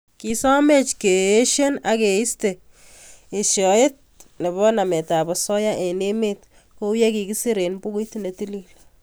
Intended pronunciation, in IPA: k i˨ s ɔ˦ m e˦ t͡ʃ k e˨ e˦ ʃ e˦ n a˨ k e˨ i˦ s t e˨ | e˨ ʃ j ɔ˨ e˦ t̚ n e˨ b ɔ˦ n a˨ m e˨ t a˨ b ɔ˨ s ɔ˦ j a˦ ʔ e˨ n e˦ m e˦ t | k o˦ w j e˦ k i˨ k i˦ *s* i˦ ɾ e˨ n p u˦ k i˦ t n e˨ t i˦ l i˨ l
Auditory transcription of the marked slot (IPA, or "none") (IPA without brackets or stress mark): s